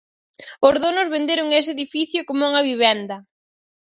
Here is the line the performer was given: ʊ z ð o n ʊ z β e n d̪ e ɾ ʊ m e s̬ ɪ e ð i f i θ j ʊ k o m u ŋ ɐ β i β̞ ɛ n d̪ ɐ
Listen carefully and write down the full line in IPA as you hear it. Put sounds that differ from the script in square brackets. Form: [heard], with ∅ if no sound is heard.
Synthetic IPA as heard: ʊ z ð o n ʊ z β e n d̪ e ɾ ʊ [ŋ] e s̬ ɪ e ð i f i θ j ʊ k o m u ŋ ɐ β i β̞ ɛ n d̪ ɐ